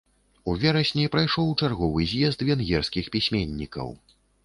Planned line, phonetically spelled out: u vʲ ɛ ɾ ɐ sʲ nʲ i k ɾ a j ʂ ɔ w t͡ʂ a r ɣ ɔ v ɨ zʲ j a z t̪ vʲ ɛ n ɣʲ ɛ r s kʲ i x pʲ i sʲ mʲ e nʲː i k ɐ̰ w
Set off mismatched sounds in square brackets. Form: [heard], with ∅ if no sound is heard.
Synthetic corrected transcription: u vʲ ɛ ɾ ɐ sʲ nʲ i [p] ɾ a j ʂ ɔ w t͡ʂ a r ɣ ɔ v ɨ zʲ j [ɛ] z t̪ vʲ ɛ n ɣʲ ɛ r s kʲ i x pʲ i sʲ mʲ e nʲː i k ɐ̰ w